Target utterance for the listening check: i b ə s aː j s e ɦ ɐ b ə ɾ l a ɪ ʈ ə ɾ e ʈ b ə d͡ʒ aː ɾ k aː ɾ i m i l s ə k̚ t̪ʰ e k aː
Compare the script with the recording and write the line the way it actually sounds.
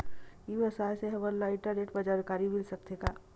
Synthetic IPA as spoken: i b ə s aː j s e ɦ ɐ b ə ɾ l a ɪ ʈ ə ɾ e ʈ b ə d͡ʒ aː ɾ k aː ɾ i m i l s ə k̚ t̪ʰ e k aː